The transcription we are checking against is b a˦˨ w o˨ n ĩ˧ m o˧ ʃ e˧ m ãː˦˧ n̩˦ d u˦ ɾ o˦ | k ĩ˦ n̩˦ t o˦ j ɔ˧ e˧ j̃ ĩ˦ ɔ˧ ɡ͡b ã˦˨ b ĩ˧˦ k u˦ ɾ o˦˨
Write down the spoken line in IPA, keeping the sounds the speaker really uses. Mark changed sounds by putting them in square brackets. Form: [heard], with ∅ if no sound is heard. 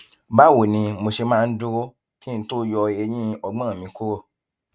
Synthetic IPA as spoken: b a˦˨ w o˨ n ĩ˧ m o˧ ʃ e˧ m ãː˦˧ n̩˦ d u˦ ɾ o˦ | k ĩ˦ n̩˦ t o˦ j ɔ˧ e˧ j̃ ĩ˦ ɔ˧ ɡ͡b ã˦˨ [m] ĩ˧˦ k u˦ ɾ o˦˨